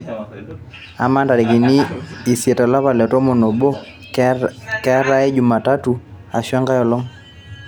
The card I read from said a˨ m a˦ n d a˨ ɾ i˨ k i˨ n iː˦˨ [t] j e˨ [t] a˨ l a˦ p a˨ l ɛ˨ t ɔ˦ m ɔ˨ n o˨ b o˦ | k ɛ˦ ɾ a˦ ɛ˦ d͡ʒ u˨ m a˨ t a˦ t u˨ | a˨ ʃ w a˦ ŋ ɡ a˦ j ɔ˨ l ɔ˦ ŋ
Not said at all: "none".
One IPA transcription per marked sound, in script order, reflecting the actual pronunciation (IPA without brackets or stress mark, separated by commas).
s, t